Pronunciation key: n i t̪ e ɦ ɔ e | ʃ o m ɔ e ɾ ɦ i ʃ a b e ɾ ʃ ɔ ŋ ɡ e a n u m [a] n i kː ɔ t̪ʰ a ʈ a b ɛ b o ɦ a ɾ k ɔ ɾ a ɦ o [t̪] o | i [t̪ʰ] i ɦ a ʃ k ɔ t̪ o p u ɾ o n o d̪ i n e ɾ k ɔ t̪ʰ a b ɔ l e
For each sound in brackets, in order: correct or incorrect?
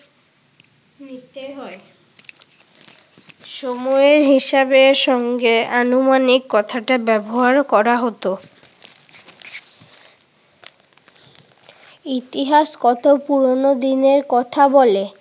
correct, correct, incorrect

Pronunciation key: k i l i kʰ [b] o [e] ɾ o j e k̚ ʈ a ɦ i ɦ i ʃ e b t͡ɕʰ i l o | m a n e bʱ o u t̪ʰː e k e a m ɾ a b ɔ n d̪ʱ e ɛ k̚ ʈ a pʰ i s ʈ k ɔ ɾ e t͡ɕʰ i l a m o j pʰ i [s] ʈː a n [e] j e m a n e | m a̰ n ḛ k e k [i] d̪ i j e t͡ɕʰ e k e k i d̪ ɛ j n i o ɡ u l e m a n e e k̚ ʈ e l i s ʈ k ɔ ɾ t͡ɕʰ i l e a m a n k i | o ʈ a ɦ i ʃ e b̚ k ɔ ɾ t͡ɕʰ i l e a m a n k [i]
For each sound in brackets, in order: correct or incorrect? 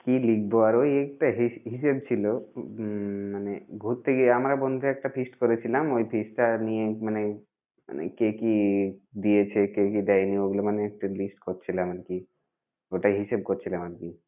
correct, incorrect, correct, incorrect, correct, correct

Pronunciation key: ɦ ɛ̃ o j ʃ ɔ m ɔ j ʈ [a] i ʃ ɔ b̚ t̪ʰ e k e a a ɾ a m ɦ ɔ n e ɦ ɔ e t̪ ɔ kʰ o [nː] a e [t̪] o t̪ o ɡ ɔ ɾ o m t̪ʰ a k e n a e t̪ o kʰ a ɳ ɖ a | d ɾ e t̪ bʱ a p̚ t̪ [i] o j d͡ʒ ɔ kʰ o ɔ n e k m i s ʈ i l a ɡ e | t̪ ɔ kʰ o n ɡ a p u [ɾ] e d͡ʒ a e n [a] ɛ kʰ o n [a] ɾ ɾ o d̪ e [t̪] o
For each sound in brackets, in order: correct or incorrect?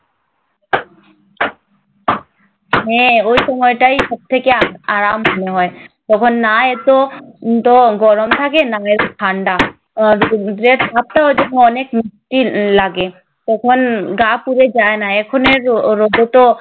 correct, correct, correct, incorrect, correct, correct, incorrect, correct

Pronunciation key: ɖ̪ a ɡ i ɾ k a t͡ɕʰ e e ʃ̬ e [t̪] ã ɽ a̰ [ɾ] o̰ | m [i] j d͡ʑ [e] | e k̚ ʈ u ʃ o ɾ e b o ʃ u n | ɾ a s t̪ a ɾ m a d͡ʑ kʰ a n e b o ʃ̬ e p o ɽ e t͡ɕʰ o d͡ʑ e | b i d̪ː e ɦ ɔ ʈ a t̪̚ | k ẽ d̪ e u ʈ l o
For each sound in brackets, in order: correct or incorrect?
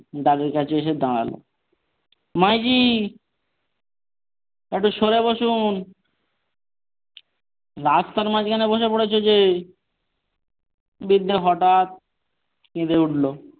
incorrect, incorrect, incorrect, incorrect

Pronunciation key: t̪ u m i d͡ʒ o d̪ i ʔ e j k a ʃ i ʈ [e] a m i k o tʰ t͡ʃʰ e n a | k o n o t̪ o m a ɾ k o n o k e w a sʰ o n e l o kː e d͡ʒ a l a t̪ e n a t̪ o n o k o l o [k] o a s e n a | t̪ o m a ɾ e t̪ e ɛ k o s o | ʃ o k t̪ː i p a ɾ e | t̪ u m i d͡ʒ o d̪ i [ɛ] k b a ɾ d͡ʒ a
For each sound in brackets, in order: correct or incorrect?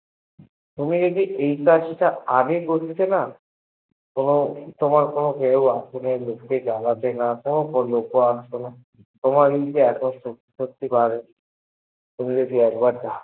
incorrect, correct, correct

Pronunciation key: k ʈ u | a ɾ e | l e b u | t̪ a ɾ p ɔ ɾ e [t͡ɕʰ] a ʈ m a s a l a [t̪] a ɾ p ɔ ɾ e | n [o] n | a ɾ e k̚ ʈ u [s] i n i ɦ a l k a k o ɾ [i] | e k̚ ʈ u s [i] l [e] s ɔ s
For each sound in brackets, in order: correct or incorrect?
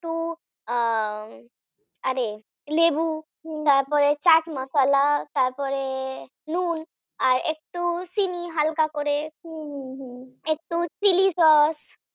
incorrect, correct, incorrect, correct, incorrect, correct, incorrect

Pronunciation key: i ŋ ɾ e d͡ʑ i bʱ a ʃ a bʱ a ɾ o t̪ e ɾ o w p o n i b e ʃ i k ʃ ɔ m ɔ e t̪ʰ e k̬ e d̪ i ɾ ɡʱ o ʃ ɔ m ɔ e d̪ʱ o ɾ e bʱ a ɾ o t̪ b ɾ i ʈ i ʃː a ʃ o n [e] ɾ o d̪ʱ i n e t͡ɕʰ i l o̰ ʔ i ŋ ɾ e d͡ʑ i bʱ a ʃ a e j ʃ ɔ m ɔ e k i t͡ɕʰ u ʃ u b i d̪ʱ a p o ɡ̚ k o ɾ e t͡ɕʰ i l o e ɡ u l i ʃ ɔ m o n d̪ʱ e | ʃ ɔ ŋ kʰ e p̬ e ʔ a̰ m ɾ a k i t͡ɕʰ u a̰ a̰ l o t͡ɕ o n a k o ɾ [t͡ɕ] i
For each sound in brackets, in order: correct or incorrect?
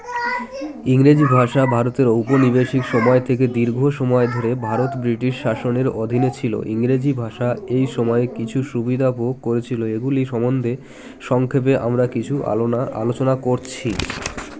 correct, incorrect

